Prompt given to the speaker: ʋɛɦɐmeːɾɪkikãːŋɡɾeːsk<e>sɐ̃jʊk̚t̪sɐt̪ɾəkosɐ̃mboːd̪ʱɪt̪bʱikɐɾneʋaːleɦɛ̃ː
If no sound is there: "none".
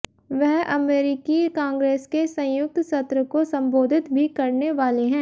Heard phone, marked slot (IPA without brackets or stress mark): e